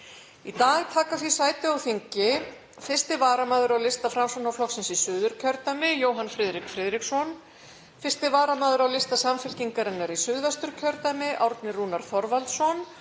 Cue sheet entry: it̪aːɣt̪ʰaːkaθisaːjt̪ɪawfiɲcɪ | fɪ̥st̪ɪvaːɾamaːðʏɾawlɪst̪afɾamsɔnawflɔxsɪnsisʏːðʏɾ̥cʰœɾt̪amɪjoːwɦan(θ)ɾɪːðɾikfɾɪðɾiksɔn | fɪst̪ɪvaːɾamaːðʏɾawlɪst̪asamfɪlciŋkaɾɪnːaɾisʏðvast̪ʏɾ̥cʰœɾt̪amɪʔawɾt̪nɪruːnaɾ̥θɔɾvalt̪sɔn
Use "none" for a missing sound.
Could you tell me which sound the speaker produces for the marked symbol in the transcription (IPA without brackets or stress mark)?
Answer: f